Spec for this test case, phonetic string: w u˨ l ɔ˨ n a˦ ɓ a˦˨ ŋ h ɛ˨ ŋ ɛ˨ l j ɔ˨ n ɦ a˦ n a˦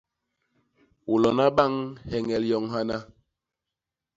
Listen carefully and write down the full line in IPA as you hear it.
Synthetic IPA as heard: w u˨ l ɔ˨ n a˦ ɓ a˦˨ ŋ h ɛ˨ ŋ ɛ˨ l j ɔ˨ ŋ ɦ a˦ n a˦